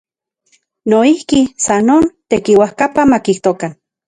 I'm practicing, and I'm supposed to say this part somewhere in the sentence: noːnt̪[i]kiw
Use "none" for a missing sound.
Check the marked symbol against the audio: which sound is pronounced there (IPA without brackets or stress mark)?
e